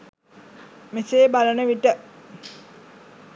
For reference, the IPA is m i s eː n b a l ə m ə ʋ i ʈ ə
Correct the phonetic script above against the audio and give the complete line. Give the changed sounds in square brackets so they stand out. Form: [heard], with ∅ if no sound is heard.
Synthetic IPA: m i s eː [∅] b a l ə [n] ə ʋ i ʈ ə